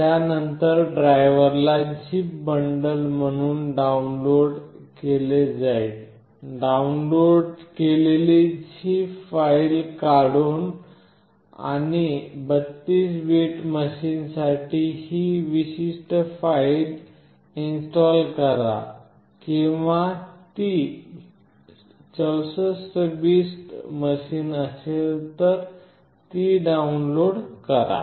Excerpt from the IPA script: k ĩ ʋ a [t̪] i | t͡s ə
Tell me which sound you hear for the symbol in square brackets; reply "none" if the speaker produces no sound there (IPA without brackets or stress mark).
t̪